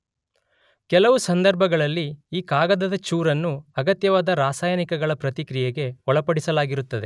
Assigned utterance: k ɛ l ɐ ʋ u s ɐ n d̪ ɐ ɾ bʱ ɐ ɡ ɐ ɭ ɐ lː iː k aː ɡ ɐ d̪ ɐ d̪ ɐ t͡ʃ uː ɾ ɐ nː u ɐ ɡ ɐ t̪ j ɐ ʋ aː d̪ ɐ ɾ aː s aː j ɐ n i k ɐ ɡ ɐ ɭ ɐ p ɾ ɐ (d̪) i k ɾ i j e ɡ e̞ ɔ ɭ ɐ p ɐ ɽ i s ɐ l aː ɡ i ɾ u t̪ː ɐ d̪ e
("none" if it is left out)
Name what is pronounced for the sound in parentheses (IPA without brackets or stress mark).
t̪